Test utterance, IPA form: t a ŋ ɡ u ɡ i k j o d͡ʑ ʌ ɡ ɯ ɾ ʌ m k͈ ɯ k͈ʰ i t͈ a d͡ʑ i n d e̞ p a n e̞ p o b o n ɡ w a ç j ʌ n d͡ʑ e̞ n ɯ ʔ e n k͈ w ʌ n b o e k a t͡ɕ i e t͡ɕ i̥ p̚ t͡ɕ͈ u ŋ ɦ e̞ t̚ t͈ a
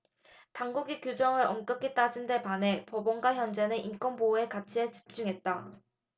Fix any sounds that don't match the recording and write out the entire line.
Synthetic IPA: t a ŋ ɡ u ɡ i k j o d͡ʑ ʌ ŋ ɯ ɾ ʌ m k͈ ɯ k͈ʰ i t͈ a d͡ʑ i n d e̞ p a n e̞ p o b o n ɡ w a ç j ʌ n d͡ʑ e̞ n ɯ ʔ i n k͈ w ʌ n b o e k a t͡ɕʰ i e t͡ɕ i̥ p̚ t͡ɕ͈ u ŋ ɦ e̞ t̚ t͈ a

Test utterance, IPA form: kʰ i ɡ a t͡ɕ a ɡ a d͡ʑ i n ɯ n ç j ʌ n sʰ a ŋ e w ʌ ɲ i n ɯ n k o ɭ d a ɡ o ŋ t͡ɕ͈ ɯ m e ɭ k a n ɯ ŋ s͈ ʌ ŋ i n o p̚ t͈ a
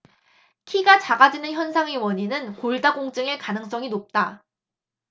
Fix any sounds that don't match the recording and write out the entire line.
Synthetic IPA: kʰ i ɡ a t͡ɕ a ɡ a d͡ʑ i n ɯ n ç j ʌ n sʰ a ŋ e w ʌ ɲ i n ɯ n k o ɭ d a ɡ o ŋ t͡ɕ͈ ɯ ŋ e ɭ k a n ɯ ŋ s͈ ʌ ŋ i n o p̚ t͈ a

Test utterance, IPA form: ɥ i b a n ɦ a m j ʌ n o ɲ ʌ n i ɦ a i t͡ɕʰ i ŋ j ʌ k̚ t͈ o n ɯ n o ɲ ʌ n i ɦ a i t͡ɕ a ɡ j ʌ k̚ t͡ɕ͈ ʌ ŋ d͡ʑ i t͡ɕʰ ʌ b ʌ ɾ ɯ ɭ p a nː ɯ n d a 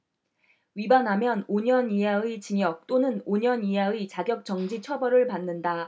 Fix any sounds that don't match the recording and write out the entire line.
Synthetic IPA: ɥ i b a n ɦ a m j ʌ n o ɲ ʌ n i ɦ a i t͡ɕ i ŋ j ʌ k̚ t͈ o n ɯ n o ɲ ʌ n i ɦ a i t͡ɕ a ɡ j ʌ k̚ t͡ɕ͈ ʌ ŋ d͡ʑ i t͡ɕʰ ʌ b ʌ ɾ ɯ ɭ p a nː ɯ n d a

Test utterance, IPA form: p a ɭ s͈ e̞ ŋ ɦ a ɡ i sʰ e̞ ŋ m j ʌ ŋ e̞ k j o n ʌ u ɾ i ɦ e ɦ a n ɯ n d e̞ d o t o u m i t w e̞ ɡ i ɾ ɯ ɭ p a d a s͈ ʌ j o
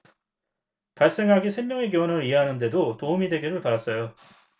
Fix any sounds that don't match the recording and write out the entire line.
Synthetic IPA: p a ɭ s͈ e̞ ŋ ɦ a ɡ i sʰ e̞ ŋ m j ʌ ŋ e̞ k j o n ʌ ɯ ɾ i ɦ e ɦ a n ɯ n d e̞ d o t o u m i d w e̞ ɡ i ɾ ɯ ɭ p a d a s͈ ʌ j o

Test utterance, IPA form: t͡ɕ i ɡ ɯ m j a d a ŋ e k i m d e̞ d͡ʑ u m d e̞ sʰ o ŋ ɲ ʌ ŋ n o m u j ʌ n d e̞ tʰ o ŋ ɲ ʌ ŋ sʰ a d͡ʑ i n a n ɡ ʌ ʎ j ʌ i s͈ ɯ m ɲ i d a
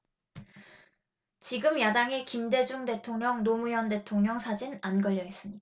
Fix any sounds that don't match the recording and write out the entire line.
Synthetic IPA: t͡ɕ i ɡ ɯ m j a d a ŋ e k i m d e̞ d͡ʑ u ŋ d e̞ tʰ o ŋ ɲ ʌ ŋ n o m u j ʌ n d e̞ tʰ o ŋ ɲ ʌ ŋ sʰ a d͡ʑ i n a n ɡ ʌ ʎ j ʌ i s͈ ɯ m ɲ i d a

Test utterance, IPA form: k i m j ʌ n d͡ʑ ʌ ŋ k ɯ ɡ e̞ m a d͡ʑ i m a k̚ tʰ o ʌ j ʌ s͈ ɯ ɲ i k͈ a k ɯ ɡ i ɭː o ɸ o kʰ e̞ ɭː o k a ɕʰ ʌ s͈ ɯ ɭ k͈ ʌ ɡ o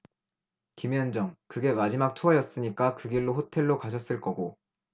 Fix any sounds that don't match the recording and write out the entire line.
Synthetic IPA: k i m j ʌ n d͡ʑ ʌ ŋ k ɯ ɡ e̞ m a d͡ʑ i m a k̚ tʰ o ʌ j ʌ s͈ ɯ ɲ i k͈ a k ɯ ɡ i ɭː o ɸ o tʰ e̞ ɭː o k a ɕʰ ʌ s͈ ɯ ɭ k͈ ʌ ɡ o

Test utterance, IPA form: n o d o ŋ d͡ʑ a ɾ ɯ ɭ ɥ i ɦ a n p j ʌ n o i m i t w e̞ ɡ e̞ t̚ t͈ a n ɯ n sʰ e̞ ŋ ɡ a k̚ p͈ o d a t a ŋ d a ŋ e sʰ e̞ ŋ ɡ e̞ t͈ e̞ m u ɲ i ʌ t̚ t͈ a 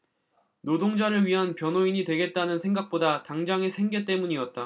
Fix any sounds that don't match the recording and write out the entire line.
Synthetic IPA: n o d o ŋ d͡ʑ a ɾ ɯ ɭ ɥ i ɦ a n p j ʌ n o i ɲ i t w e̞ ɡ e̞ t̚ t͈ a n ɯ n sʰ e̞ ŋ ɡ a k̚ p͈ o d a t a ŋ d͡ʑ a ŋ e sʰ e̞ ŋ ɡ e̞ t͈ e̞ m u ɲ i ʌ t̚ t͈ a

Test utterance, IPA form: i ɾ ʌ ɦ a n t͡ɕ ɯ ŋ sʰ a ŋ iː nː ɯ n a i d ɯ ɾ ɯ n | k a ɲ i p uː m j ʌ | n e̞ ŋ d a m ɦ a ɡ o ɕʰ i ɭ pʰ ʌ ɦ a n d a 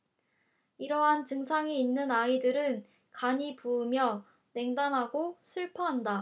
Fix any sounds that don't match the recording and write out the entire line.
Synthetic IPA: i ɾ ʌ ɦ a n t͡ɕ ɯ ŋ sʰ a ŋ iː nː ɯ n a i d ɯ ɾ ɯ n | k a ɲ i p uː m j ʌ | n e̞ ŋ d a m ɦ a ɡ o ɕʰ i ɭ pʰ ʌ ɦ a n d a

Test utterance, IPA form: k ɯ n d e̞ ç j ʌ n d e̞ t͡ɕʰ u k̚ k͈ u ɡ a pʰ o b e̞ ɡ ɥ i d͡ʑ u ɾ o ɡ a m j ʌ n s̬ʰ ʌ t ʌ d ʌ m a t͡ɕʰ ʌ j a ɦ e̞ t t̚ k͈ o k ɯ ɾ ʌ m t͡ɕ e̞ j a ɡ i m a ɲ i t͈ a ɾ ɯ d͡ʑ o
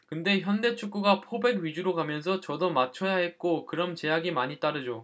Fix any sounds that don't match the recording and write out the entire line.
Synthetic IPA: k ɯ n d e̞ ç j ʌ n d e̞ t͡ɕʰ u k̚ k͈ u ɡ a pʰ o b e̞ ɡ ɥ i d͡ʑ u ɾ o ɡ a m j ʌ n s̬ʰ ʌ t͡ɕ ʌ d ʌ m a t͡ɕʰ ʌ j a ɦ e̞ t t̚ k͈ o k ɯ ɾ ʌ m t͡ɕ e̞ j a ɡ i m a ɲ i t͈ a ɾ ɯ d͡ʑ o

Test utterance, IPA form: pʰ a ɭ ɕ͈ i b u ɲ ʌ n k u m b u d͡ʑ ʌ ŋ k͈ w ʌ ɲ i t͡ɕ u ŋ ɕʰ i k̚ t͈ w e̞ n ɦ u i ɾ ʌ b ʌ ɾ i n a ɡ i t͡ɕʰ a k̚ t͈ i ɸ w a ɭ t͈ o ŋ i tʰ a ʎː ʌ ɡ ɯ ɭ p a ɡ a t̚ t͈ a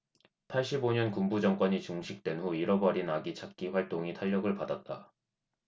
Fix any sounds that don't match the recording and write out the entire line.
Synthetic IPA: pʰ a ɭ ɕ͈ i b o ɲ ʌ n k u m b u d͡ʑ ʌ ŋ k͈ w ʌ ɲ i t͡ɕ u ŋ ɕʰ i k̚ t͈ w e̞ n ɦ u i ɾ ʌ b ʌ ɾ i n a ɡ i t͡ɕʰ a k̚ k͈ i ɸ w a ɭ t͈ o ŋ i tʰ a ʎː ʌ ɡ ɯ ɭ p a d a t̚ t͈ a

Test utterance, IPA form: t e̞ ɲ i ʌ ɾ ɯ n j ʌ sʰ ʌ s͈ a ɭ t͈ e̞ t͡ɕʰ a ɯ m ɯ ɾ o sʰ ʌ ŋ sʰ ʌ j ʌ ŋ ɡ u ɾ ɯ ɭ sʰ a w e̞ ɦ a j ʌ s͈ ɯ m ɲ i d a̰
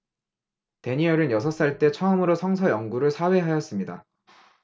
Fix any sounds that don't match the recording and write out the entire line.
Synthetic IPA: t e̞ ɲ i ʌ ɾ ɯ n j ʌ sʰ ʌ s͈ a ɭ t͈ e̞ t͡ɕʰ ʌ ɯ m ɯ ɾ o sʰ ʌ ŋ sʰ ʌ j ʌ ŋ ɡ u ɾ ɯ ɭ sʰ a w e̞ ɦ a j ʌ s͈ ɯ m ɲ i d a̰

